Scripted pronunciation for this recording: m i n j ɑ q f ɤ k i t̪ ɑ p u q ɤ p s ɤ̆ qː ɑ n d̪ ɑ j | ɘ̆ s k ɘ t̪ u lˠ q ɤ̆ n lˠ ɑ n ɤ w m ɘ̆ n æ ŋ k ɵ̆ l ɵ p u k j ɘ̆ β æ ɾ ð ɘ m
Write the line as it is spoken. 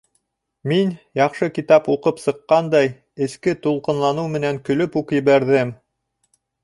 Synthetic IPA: m i n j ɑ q ʃ ɤ k i t̪ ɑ p u q ɤ p s ɤ̆ qː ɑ n d̪ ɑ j | ɘ̆ s k ɘ t̪ u lˠ q ɤ̆ n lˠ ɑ n ɤ w m ɘ̆ n æ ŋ k ɵ̆ l ɵ p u k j ɘ̆ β æ ɾ ð ɘ m